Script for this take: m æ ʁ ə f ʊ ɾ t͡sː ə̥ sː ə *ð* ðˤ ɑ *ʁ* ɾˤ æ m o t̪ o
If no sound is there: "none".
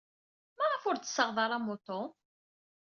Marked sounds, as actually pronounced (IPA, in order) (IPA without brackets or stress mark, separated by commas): ʁ, none